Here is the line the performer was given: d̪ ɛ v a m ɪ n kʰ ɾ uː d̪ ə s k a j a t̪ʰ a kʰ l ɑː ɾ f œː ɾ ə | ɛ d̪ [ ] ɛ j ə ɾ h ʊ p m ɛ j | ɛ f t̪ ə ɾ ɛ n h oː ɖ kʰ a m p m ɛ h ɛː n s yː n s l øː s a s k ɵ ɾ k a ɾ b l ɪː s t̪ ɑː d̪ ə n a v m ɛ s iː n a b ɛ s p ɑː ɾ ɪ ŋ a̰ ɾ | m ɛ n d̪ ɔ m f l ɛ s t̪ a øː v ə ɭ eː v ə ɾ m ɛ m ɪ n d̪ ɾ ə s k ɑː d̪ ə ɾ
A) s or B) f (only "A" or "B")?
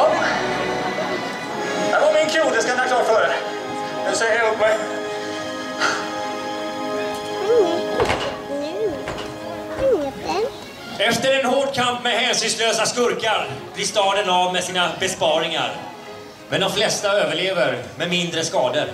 A